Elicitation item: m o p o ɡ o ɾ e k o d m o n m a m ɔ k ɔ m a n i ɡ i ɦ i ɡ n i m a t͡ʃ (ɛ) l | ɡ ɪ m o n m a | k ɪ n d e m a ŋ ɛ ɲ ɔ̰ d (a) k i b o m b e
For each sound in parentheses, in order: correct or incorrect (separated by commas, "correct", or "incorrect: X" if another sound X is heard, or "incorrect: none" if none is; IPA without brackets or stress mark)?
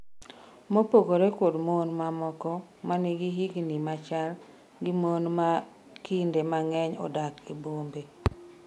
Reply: incorrect: a, correct